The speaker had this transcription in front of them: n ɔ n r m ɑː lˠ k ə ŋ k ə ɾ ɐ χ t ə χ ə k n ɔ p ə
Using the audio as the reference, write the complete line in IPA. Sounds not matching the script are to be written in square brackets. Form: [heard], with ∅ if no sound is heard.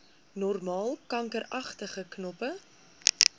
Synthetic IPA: n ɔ [∅] r m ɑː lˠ k [ɐ] ŋ k ə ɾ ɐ χ t ə χ ə k n ɔ p ə